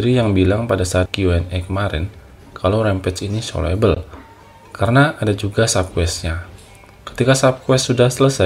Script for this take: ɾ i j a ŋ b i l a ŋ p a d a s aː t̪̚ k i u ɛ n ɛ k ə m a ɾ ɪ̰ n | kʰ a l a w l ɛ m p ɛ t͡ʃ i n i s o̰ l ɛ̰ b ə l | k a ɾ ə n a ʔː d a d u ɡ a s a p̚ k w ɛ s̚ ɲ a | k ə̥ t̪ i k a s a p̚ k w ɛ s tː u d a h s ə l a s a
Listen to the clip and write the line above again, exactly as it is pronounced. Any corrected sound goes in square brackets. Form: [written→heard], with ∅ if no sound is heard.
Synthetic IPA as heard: ɾ i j a ŋ b i l a ŋ p a d a s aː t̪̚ k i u ɛ n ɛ k ə m a ɾ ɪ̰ n | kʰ a l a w [l→ɾ] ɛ m p ɛ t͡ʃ i n i s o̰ l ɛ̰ b ə l | k a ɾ ə n a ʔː d a [d→d͡ʒ] u ɡ a s a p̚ k w ɛ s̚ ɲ a | k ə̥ t̪ i k a s a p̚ k w ɛ s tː u d a h s ə l [a→ə] s a